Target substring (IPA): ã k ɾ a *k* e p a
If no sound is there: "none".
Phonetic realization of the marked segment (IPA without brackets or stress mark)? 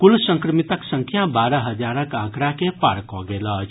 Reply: k